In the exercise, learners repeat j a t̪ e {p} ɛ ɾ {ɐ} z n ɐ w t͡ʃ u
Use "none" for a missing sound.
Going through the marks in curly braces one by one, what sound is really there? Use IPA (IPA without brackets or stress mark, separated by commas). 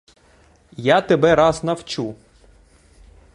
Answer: b, ɑ